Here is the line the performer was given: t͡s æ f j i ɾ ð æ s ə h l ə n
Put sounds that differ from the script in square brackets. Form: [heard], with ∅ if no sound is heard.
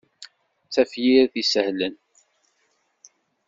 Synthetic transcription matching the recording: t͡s æ f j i ɾ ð [i] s ə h l ə n

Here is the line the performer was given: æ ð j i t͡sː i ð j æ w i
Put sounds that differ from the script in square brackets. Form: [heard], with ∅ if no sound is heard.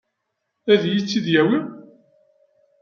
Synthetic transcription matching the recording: æ ð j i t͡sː i ð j æ w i

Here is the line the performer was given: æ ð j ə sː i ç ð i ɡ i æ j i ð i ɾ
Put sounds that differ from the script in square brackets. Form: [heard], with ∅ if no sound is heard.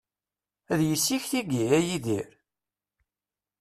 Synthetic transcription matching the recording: æ ð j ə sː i ç [θ] i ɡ i æ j i ð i ɾ

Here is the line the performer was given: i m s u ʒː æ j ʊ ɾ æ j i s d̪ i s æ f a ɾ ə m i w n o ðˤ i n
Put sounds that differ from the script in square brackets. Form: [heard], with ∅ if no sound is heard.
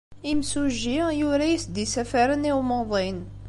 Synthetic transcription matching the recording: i m s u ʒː [i] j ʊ ɾ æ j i s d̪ i s æ f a ɾ ə [n] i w [m] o ðˤ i n

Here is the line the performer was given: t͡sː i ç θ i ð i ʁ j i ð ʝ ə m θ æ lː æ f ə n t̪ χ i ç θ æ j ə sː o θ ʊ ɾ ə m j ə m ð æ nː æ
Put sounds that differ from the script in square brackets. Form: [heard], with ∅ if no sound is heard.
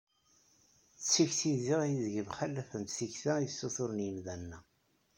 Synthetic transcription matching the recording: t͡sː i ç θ i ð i ʁ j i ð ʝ ə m [χ] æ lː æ f ə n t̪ [θ] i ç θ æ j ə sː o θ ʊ ɾ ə [n] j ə m ð æ nː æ

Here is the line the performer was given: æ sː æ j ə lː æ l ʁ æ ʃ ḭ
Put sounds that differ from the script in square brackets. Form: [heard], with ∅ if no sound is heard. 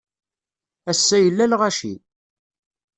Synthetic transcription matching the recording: æ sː æ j ə lː æ l ʁ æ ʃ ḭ

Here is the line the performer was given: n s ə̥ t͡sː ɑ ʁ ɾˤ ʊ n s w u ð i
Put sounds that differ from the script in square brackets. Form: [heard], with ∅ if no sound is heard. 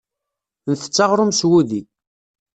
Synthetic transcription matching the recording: n [θ] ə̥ t͡sː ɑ ʁ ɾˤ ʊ [m] s w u ð i

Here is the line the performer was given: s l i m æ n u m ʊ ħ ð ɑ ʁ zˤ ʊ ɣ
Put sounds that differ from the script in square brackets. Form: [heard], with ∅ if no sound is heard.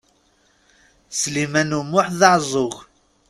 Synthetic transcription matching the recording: s l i m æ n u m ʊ ħ ð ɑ [ʕ] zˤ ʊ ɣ

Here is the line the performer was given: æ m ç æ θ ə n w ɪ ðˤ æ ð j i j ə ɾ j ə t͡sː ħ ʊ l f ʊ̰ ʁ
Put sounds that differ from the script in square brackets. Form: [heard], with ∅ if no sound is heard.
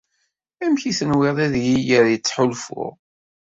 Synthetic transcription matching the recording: æ m ç [i] θ ə n w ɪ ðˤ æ ð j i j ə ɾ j ə t͡sː ħ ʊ l f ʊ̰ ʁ

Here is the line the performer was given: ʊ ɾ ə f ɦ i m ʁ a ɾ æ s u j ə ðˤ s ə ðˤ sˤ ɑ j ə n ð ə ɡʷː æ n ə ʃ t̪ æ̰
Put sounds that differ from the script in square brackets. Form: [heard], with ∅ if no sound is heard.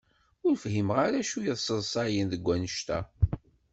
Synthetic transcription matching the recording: ʊ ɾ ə f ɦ i m ʁ a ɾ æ [ʃ] u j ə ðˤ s ə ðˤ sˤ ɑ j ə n ð ə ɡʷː æ n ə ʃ t̪ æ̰

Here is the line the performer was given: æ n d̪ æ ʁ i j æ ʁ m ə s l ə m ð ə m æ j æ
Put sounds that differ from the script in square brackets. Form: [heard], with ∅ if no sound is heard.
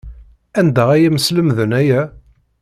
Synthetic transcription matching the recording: æ n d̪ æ ʁ [æ] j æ [∅] m ə s l ə m ð ə [n] æ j æ

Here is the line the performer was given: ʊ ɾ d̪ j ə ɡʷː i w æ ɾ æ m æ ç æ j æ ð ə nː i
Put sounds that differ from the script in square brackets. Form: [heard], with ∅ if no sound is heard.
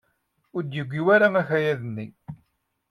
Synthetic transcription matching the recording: ʊ ɾ d̪ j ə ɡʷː i w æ ɾ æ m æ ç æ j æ ð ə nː i

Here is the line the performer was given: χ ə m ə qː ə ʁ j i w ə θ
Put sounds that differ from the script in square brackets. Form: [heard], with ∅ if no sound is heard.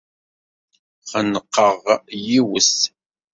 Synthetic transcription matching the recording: χ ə [n] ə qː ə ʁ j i w ə [s]

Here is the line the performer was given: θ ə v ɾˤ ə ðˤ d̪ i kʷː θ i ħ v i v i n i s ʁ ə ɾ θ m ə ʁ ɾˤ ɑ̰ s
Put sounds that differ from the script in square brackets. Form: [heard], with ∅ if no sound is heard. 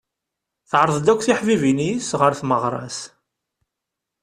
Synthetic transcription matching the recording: θ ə [ʕ] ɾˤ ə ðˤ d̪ [æ] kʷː θ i ħ v i v i n i s ʁ ə ɾ θ m ə ʁ ɾˤ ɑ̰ s

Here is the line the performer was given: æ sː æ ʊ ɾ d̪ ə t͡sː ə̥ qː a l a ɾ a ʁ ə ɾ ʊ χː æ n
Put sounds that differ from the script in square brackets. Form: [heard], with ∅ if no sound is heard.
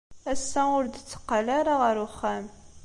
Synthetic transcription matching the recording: æ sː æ ʊ ɾ d̪ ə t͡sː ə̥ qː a l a ɾ a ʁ ə ɾ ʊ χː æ [m]

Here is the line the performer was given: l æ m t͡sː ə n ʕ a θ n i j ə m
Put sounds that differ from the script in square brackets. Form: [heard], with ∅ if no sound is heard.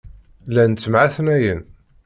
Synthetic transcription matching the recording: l æ [n] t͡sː ə [m] ʕ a θ n [æ] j ə [n]

